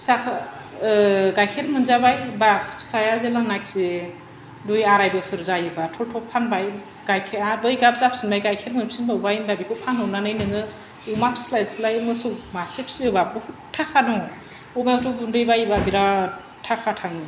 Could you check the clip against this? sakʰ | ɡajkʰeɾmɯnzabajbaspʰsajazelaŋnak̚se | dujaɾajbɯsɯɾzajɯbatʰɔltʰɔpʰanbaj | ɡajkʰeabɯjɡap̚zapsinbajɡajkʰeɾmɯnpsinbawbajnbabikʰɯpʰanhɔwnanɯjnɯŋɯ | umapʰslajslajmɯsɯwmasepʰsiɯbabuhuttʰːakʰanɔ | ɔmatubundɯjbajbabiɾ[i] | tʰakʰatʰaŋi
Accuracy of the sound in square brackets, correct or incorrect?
incorrect